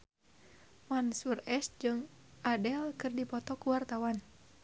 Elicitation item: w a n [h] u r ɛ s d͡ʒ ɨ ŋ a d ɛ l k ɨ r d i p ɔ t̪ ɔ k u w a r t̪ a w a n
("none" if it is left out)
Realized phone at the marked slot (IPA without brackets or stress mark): s